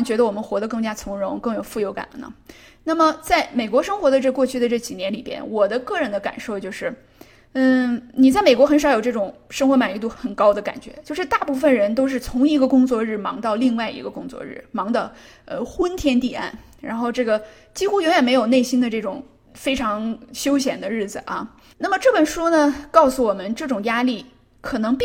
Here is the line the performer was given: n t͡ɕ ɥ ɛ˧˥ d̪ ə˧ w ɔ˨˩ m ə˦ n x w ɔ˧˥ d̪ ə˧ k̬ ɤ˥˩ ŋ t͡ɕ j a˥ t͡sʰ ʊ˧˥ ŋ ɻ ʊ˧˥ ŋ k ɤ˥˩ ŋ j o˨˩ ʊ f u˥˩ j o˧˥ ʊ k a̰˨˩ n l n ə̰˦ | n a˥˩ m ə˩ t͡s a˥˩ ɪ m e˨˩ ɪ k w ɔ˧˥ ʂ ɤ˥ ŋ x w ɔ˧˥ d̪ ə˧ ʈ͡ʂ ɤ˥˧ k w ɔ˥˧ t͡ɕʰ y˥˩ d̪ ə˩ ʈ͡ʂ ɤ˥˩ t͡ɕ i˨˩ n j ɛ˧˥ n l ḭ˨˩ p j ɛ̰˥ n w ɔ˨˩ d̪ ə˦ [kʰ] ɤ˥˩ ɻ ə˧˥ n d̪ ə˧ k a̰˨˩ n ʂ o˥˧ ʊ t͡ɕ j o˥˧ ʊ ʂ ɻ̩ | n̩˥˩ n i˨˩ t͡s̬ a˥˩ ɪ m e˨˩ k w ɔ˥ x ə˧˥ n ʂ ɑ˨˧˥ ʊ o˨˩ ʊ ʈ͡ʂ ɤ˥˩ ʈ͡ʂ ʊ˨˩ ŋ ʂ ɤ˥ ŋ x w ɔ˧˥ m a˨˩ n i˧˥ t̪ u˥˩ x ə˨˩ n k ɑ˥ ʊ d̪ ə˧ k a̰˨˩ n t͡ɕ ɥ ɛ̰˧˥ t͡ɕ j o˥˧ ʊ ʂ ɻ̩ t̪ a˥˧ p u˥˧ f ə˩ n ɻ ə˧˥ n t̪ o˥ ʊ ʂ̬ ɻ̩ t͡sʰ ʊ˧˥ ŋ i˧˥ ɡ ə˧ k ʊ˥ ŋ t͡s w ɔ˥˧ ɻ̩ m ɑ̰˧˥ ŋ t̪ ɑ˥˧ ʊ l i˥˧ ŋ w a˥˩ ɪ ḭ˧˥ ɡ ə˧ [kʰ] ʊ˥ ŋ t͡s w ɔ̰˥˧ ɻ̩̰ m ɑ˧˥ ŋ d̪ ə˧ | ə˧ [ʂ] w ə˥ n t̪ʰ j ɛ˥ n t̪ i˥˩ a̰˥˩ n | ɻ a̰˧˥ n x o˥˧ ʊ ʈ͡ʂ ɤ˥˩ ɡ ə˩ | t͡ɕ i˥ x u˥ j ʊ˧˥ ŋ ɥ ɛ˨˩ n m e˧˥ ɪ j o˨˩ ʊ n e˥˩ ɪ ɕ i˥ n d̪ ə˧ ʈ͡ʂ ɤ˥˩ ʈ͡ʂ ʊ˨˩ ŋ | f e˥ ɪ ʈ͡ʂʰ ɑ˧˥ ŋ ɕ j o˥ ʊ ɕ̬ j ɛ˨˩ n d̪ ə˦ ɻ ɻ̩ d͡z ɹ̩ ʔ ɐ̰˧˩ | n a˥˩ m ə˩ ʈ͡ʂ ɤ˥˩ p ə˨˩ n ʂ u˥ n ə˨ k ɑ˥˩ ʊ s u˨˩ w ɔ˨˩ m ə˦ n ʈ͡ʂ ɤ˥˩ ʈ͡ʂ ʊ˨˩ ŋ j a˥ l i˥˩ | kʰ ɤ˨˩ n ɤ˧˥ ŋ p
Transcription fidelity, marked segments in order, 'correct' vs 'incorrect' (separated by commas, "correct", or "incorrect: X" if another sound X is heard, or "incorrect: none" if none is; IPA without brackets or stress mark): incorrect: k, incorrect: k, incorrect: x